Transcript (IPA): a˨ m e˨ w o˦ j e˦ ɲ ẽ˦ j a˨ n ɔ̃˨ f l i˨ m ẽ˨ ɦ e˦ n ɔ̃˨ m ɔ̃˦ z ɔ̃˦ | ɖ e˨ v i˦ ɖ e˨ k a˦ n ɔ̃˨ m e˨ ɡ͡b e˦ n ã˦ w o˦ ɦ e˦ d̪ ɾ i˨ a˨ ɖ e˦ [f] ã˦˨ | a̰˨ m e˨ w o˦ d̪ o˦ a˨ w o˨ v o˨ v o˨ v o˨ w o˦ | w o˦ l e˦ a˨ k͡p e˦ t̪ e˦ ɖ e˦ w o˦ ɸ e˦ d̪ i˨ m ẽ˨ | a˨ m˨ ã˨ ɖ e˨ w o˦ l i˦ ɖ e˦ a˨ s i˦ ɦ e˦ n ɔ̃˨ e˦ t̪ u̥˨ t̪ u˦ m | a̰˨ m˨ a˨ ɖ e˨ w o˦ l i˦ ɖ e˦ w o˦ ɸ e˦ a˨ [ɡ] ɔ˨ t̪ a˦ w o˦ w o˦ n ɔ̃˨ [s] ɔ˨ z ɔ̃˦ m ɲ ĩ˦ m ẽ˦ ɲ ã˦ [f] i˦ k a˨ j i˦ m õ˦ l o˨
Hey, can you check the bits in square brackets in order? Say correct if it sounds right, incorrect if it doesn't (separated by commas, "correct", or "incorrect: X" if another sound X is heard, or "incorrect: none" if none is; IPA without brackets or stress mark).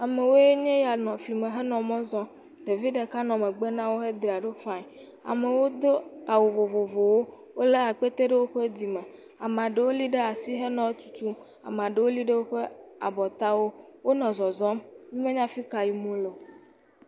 correct, incorrect: b, incorrect: z, correct